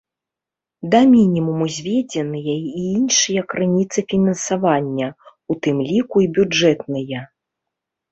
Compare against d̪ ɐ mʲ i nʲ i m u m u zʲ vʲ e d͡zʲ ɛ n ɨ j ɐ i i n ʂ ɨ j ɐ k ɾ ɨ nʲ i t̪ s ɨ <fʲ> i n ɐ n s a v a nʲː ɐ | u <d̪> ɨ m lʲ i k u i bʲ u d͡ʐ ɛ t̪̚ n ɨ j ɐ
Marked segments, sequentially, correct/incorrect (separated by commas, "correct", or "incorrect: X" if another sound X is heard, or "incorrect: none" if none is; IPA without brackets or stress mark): correct, incorrect: t̪